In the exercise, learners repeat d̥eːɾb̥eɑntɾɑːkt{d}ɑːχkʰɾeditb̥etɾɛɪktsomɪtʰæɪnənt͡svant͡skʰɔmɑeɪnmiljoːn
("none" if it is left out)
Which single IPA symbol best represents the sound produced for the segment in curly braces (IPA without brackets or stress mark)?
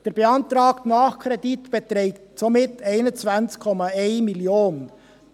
n